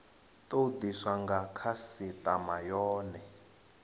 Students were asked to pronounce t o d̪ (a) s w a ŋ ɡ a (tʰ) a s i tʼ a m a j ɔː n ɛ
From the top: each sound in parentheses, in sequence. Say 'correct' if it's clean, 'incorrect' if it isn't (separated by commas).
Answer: incorrect, incorrect